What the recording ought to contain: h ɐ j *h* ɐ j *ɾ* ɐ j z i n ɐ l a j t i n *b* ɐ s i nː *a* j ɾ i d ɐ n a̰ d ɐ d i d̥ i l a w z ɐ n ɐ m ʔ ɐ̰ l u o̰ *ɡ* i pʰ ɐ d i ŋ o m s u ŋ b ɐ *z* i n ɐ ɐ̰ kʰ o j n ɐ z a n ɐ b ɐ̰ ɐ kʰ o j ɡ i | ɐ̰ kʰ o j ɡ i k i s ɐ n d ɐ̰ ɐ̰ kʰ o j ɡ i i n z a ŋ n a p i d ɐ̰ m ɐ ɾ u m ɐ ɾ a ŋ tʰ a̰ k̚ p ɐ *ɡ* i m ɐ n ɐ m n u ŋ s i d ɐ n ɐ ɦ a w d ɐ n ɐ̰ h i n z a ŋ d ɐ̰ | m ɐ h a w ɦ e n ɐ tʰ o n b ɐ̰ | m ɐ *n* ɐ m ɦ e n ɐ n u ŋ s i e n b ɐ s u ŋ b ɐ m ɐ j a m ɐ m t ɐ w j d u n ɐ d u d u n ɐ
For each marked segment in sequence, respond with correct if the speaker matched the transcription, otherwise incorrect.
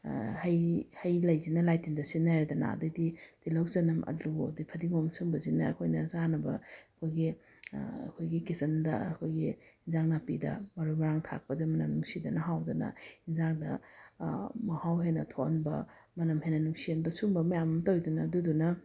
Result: correct, incorrect, incorrect, correct, incorrect, correct, incorrect, correct

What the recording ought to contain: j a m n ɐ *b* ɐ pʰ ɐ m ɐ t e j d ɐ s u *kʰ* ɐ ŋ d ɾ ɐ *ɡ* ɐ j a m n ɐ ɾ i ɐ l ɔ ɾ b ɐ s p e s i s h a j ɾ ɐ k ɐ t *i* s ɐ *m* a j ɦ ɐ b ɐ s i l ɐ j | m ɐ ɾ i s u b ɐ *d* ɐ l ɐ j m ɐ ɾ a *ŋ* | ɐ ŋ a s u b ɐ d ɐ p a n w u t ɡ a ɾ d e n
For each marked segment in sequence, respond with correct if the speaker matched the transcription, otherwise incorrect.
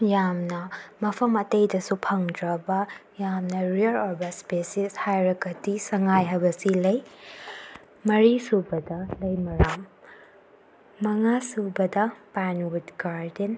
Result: incorrect, incorrect, incorrect, correct, incorrect, correct, incorrect

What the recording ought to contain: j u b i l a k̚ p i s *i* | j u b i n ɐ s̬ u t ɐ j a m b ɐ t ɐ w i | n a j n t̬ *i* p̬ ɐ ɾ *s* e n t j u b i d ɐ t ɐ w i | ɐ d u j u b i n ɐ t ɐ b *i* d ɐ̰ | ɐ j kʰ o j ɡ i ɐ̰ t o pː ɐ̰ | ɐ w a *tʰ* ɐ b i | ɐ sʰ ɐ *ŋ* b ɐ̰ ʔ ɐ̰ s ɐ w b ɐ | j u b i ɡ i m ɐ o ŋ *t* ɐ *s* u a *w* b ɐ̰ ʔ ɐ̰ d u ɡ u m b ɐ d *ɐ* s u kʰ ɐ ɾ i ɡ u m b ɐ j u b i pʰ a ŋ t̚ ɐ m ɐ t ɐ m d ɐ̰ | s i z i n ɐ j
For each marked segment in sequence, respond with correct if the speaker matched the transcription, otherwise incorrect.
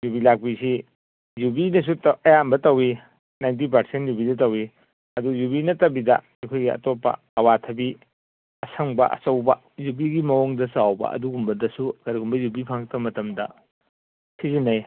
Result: correct, correct, correct, correct, correct, correct, incorrect, correct, correct, correct

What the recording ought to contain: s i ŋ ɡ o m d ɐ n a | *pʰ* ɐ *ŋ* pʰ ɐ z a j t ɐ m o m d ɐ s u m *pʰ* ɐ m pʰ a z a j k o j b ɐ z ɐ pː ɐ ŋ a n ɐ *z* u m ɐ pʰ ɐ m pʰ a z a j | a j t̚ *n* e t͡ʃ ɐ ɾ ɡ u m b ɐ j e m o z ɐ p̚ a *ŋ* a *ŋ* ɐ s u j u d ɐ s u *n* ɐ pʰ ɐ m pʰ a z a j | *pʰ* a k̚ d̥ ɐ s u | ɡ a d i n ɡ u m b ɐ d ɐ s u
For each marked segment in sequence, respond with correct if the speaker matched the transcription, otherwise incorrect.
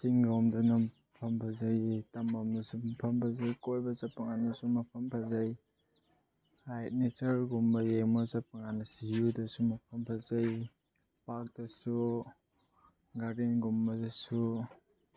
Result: correct, incorrect, correct, incorrect, correct, correct, incorrect, incorrect, incorrect

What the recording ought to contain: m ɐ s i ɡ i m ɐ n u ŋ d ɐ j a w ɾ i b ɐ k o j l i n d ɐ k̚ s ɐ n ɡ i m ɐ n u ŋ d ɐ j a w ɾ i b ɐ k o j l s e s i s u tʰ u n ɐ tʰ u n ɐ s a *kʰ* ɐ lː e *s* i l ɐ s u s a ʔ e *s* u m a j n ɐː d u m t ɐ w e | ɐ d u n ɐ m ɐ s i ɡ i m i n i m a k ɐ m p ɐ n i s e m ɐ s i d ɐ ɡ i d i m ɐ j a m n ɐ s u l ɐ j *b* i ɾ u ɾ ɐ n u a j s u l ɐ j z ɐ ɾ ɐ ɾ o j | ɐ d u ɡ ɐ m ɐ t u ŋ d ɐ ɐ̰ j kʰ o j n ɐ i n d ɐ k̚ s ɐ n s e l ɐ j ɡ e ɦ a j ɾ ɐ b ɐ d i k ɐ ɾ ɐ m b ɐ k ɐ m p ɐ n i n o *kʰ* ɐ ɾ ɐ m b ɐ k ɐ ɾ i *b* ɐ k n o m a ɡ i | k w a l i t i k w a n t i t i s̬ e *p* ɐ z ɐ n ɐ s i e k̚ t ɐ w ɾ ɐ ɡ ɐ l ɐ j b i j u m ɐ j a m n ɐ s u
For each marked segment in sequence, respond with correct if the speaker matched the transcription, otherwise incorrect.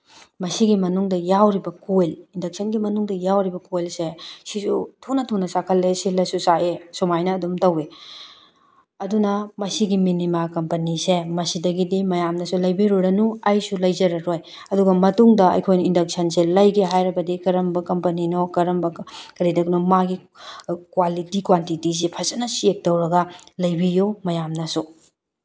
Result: correct, correct, correct, correct, incorrect, incorrect, incorrect

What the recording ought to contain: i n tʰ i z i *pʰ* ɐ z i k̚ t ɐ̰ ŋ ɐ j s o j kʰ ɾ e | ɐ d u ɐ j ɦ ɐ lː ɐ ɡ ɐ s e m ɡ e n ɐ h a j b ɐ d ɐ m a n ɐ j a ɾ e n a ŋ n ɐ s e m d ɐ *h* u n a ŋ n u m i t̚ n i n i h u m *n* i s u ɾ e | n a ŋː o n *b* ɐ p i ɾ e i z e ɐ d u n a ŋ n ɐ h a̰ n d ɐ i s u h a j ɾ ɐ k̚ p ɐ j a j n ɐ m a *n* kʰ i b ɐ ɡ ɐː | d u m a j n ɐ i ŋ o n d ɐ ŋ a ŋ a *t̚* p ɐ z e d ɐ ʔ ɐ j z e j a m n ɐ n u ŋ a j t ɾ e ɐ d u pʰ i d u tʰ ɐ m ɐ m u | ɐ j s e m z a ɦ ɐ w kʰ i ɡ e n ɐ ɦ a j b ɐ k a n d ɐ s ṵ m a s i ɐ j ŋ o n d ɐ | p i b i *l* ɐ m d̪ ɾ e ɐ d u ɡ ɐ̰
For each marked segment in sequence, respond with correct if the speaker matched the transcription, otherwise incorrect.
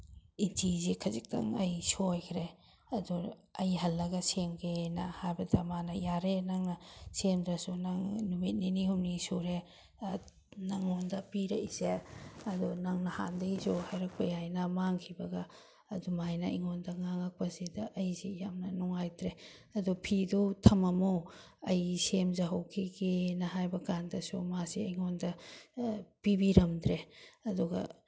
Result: incorrect, incorrect, correct, incorrect, incorrect, incorrect, incorrect

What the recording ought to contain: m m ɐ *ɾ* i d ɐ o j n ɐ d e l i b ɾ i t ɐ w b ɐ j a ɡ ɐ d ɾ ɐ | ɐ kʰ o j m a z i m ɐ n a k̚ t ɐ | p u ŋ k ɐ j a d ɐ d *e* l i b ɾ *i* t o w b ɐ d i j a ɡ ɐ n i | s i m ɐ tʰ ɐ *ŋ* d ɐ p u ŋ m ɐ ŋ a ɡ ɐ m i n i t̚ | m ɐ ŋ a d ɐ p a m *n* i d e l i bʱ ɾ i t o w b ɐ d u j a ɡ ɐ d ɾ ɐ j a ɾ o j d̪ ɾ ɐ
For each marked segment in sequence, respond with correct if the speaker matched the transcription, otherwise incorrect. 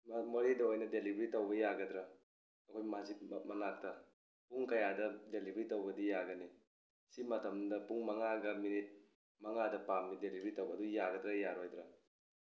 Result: correct, correct, correct, incorrect, correct

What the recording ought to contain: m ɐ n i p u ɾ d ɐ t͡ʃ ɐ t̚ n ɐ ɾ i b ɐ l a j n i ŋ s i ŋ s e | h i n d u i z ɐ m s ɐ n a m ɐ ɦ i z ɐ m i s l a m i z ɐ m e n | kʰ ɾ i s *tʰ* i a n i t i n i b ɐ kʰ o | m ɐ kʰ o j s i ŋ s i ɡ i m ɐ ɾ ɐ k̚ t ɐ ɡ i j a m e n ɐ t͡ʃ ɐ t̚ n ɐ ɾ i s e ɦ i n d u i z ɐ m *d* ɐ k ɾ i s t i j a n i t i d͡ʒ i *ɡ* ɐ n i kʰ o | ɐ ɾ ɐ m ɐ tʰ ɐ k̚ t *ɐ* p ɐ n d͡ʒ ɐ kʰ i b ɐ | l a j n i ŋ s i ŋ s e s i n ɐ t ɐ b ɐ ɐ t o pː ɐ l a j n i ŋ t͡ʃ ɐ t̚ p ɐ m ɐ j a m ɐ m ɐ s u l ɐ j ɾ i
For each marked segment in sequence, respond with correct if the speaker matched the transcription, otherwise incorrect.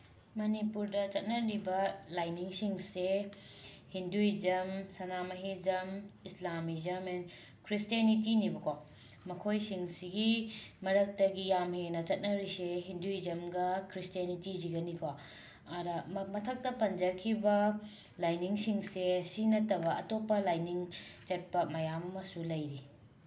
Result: incorrect, incorrect, correct, correct

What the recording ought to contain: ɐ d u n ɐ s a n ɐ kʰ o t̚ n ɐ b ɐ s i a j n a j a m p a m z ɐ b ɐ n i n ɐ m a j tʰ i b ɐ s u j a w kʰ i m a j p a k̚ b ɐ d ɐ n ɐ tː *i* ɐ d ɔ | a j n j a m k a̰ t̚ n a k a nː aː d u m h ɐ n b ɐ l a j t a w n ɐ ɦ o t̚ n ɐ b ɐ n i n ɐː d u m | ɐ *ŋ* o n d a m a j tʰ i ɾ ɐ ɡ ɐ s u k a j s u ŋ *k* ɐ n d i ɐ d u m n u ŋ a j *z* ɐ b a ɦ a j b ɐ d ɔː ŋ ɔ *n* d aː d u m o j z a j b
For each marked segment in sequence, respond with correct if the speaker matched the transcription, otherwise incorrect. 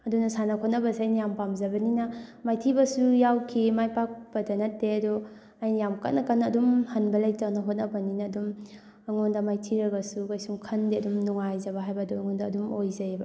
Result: incorrect, correct, incorrect, correct, correct

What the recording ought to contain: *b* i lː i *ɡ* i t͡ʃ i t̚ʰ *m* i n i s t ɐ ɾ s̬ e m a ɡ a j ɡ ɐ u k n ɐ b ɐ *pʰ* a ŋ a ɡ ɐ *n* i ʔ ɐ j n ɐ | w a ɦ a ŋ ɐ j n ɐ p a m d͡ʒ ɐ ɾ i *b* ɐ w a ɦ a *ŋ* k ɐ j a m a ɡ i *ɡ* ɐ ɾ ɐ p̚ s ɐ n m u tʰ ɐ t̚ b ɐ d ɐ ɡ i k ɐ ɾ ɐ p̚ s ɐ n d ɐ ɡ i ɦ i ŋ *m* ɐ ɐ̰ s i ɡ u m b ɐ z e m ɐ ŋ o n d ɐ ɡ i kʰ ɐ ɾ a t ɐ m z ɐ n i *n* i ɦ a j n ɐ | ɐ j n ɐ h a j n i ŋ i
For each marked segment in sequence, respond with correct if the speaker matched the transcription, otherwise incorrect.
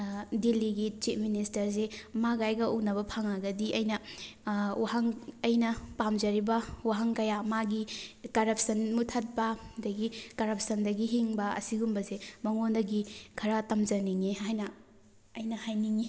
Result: incorrect, correct, correct, correct, incorrect, correct, correct, incorrect, incorrect, incorrect

